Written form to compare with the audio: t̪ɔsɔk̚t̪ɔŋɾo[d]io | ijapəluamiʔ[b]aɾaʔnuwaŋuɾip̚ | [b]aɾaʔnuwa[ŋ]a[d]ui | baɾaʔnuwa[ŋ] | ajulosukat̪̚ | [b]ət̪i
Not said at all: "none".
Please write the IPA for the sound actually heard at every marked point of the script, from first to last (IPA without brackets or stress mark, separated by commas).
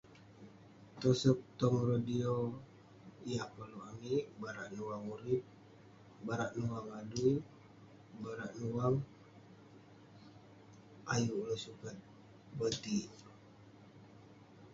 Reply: d, b, b, ŋ, d, ŋ, b